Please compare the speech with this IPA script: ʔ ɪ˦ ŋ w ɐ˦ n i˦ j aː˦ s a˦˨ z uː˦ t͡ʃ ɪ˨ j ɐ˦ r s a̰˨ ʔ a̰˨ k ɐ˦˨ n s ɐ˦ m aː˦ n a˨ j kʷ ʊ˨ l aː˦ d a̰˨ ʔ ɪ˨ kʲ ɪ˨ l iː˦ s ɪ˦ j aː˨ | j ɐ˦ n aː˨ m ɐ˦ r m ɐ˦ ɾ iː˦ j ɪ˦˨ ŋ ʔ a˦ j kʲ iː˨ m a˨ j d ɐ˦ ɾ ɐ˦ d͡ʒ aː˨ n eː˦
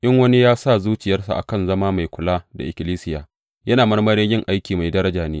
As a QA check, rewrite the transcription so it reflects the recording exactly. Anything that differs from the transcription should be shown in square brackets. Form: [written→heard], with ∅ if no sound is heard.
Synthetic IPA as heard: ʔ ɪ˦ ŋ w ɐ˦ n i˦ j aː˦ s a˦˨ z uː˦ t͡ʃ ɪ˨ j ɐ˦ r s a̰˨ ʔ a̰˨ k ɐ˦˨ n [s→z] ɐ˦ m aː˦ [n→m] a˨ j kʷ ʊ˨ l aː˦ d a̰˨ ʔ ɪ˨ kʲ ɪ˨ l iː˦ s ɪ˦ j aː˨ | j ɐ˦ n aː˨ m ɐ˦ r m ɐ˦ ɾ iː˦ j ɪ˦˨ ŋ ʔ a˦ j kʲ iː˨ m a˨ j d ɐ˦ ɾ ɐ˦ d͡ʒ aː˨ n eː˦